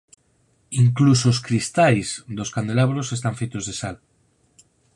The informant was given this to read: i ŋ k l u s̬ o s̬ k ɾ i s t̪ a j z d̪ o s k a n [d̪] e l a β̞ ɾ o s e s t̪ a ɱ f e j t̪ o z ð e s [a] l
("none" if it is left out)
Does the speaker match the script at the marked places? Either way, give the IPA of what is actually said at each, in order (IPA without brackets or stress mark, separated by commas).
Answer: d̪, a